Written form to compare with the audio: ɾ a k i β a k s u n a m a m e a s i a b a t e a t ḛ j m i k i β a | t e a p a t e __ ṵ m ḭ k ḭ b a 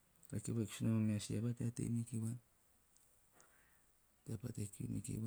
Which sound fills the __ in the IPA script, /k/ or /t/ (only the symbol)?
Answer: k